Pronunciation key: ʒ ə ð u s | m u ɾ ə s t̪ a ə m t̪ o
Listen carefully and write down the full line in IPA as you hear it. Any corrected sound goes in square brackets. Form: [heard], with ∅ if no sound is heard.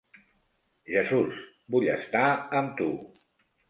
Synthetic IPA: ʒ ə [z] u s | [b] u [ʎ] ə s t̪ a ə m t̪ [u]